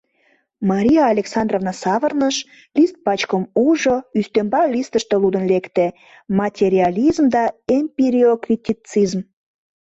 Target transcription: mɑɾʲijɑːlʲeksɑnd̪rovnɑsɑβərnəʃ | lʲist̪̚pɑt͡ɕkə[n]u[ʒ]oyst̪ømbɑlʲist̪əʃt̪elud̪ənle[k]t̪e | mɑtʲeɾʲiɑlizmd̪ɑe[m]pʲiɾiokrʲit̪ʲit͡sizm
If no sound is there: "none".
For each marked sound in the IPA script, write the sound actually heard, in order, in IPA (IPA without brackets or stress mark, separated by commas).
m, ʒ, k, m